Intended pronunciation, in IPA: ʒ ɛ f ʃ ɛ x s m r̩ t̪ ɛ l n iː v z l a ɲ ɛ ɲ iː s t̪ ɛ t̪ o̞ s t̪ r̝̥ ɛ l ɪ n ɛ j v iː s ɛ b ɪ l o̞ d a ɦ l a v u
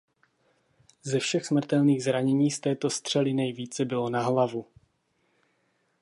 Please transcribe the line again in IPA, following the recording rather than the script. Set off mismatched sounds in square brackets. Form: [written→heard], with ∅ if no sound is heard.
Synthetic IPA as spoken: [ʒ→z] ɛ f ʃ ɛ x s m r̩ t̪ ɛ l n iː [v→ɣ] z [l→ɾ] a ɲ ɛ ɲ iː s t̪ [ɛ→ɛː] t̪ o̞ s t̪ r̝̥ ɛ l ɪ n ɛ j v iː [s→t͡s] ɛ b ɪ l o̞ [d→n] a ɦ l a v u

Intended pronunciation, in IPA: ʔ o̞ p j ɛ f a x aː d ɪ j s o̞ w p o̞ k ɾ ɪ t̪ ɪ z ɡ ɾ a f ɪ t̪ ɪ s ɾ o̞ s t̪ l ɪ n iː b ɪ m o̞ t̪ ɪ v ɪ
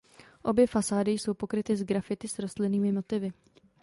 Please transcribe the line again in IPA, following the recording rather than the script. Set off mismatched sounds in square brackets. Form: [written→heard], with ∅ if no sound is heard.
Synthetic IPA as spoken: ʔ o̞ [p→b] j ɛ f a [x→s] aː d ɪ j s o̞ w p o̞ k ɾ ɪ t̪ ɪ z ɡ ɾ a f ɪ t̪ ɪ s ɾ o̞ s t̪ l ɪ n iː [b→m] ɪ m o̞ t̪ ɪ v ɪ

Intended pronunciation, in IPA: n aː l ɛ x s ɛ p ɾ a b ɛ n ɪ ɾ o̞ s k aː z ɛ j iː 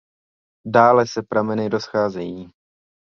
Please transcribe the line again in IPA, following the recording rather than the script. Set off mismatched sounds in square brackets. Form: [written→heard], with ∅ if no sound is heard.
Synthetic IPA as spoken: [n→d] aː l ɛ [x→∅] s ɛ p ɾ a [b→m] ɛ n ɪ ɾ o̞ s [k→x] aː z ɛ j iː

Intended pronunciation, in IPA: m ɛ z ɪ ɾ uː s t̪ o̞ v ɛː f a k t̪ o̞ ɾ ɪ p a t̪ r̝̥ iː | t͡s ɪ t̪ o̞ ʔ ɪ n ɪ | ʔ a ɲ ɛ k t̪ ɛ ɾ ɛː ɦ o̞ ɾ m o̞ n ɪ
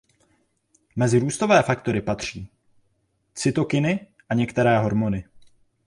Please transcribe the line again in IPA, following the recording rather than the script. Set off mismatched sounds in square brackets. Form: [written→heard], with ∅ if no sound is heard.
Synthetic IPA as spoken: m ɛ z ɪ ɾ uː s t̪ o̞ v ɛː f a k t̪ o̞ ɾ ɪ p a t̪ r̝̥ iː | t͡s ɪ t̪ o̞ [ʔ→k] ɪ n ɪ | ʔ a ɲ ɛ k t̪ ɛ ɾ ɛː ɦ o̞ ɾ m o̞ n ɪ

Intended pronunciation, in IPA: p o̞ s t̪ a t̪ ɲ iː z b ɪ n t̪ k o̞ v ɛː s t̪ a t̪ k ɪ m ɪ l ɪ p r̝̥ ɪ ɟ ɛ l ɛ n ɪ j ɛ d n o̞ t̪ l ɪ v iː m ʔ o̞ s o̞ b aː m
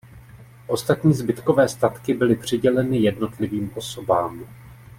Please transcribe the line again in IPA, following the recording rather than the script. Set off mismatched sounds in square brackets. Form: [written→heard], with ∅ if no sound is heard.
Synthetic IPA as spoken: [p→ʔ] o̞ s t̪ a t̪ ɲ iː z b ɪ [n→∅] t̪ k o̞ v ɛː s t̪ a t̪ k ɪ [m→b] ɪ l ɪ p r̝̥ ɪ ɟ ɛ l ɛ n ɪ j ɛ d n o̞ t̪ l ɪ v iː m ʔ o̞ s o̞ b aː m

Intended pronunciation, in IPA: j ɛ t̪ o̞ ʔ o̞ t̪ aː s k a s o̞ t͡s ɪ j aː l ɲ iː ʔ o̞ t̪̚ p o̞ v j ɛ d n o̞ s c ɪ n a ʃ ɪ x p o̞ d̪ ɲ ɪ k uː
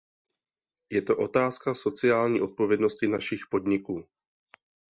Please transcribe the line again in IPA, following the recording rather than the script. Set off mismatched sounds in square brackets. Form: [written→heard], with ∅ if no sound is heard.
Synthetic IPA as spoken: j ɛ t̪ o̞ ʔ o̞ t̪ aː s k a s o̞ t͡s ɪ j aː l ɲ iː ʔ o̞ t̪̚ p o̞ v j ɛ d n o̞ s c ɪ n a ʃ ɪ x p o̞ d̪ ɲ ɪ k uː

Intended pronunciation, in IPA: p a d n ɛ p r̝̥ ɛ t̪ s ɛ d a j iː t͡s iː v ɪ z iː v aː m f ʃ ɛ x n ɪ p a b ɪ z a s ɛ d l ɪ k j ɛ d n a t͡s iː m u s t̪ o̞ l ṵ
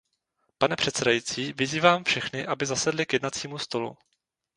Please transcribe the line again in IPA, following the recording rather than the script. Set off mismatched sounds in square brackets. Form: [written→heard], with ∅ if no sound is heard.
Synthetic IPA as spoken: p a [d→∅] n ɛ p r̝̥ ɛ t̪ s ɛ d a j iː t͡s iː v ɪ z iː v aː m f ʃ ɛ x n ɪ [p→ʔ] a b ɪ z a s ɛ d l ɪ k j ɛ d n a t͡s iː m u s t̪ o̞ l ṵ

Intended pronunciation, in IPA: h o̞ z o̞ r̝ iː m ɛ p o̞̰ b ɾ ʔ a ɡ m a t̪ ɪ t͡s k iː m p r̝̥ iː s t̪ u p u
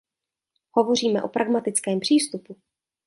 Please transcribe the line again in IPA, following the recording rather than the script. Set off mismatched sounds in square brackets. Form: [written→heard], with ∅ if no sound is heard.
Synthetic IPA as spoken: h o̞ [z→v] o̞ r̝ iː m ɛ [p→ʔ] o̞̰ [b→p] ɾ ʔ a ɡ m a t̪ ɪ t͡s k [iː→ɛː] m p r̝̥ iː s t̪ u p u

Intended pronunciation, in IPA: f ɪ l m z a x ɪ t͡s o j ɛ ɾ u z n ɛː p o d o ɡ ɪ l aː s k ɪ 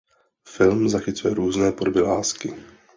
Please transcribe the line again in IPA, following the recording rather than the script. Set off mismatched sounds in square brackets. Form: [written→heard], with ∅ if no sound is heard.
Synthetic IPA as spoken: f ɪ l m z a x ɪ t͡s [o→u] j ɛ ɾ [u→uː] z n ɛː p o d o [ɡ→b] ɪ l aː s k ɪ

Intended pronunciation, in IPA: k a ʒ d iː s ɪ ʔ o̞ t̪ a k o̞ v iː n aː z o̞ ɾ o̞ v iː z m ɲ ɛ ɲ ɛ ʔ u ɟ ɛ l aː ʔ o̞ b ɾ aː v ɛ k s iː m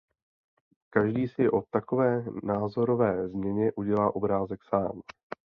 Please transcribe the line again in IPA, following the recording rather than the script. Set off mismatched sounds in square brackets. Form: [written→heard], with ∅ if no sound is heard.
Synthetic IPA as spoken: k a ʒ d iː s ɪ ʔ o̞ t̪ a k o̞ v [iː→ɛː] n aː z o̞ ɾ o̞ v [iː→ɛː] z m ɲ ɛ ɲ ɛ ʔ u ɟ ɛ l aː ʔ o̞ b ɾ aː [v→z] ɛ k s [iː→aː] m

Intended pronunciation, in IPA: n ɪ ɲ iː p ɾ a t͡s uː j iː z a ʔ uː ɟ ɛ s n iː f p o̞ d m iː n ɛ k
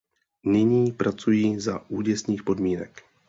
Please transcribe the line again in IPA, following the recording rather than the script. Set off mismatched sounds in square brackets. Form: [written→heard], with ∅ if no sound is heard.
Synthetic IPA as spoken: n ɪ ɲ iː p ɾ a t͡s [uː→u] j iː z a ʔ uː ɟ ɛ s n iː [f→x] p o̞ d m iː n ɛ k

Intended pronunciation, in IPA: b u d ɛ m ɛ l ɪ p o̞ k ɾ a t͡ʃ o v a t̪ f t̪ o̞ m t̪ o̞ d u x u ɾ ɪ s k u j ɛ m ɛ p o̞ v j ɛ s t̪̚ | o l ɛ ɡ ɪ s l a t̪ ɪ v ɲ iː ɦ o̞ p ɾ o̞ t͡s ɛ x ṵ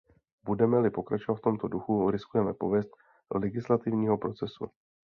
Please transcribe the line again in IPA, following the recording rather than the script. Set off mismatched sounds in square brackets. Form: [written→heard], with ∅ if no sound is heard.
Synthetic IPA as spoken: b u d ɛ m ɛ l ɪ p o̞ k ɾ a t͡ʃ o v a t̪ f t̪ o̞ m t̪ o̞ d u x u ɾ ɪ s k u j ɛ m ɛ p o̞ v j ɛ s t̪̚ | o l ɛ ɡ ɪ s l a t̪ ɪ v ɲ iː ɦ o̞ p ɾ o̞ t͡s ɛ [x→s] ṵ

